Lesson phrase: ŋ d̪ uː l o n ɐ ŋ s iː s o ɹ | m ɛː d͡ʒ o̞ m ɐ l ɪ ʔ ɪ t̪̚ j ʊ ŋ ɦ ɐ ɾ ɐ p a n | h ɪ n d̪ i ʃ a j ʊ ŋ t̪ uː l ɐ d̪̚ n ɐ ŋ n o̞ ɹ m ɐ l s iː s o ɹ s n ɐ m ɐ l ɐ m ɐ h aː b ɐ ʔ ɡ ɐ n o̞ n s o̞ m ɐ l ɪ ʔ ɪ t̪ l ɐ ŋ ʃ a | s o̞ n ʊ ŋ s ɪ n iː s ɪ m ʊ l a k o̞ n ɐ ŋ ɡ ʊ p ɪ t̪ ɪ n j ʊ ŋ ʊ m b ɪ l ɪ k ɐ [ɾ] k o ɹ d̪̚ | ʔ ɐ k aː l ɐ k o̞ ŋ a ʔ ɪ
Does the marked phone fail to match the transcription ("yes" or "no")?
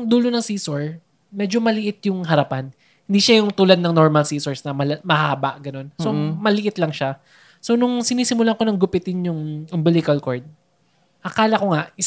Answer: yes